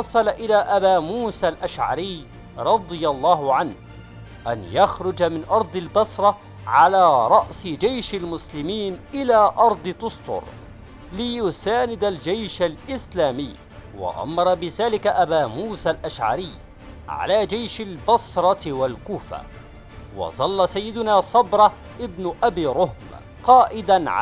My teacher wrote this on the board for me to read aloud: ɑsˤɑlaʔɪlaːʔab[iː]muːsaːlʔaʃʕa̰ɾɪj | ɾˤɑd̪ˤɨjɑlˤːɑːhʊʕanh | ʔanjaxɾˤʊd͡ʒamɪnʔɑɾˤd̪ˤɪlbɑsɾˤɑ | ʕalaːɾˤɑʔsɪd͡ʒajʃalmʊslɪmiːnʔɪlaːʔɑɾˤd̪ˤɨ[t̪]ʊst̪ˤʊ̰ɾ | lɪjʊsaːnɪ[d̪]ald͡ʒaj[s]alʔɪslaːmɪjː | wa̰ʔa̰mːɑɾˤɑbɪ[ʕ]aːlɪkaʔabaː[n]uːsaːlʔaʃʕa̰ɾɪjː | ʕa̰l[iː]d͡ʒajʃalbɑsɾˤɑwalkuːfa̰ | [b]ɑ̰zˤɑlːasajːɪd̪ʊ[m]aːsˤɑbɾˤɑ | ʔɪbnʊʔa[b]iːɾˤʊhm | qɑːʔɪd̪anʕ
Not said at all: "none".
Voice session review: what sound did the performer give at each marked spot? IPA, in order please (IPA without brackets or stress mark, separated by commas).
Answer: aː, t̪, d̪, ʃ, ð, m, aː, w, n, b